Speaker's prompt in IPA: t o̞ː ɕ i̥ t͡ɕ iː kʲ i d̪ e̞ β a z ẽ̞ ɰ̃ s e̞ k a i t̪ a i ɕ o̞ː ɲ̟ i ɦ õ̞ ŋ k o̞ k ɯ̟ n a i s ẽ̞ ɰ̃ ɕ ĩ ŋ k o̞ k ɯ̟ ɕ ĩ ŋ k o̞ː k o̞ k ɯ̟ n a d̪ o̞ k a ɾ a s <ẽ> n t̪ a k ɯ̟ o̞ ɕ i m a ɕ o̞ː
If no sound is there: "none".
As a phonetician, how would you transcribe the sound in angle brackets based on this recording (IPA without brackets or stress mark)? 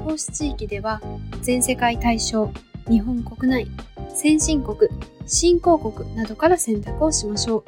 ẽ